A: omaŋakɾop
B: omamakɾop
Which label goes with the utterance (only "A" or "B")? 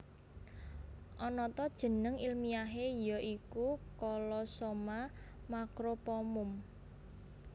B